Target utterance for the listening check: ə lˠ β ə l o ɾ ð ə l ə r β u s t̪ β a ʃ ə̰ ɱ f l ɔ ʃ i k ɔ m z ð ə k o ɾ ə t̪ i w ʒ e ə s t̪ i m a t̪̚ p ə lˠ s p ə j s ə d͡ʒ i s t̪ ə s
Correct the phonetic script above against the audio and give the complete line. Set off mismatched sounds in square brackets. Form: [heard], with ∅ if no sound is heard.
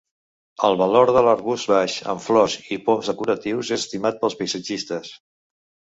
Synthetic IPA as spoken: ə lˠ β ə l o ɾ ð ə l ə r β u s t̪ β a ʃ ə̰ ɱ f l ɔ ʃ i [p] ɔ m z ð ə k [u] ɾ ə t̪ i w [z] e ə s t̪ i m a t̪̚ p ə lˠ s p ə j s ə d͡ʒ i s t̪ ə s